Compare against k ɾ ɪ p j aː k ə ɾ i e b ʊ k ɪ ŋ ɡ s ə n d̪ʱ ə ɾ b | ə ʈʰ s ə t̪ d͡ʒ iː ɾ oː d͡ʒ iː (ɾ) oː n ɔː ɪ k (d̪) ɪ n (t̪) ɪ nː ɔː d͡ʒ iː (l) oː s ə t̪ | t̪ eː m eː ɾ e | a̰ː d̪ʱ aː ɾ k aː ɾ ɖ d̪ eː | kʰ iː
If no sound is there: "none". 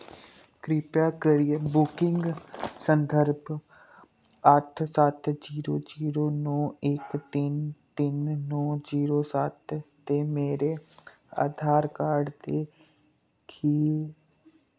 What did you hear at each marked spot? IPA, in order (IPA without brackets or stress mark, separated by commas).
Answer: ɾ, t̪, t̪, ɾ